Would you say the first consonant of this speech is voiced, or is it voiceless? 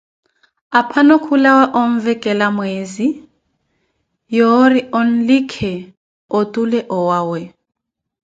voiceless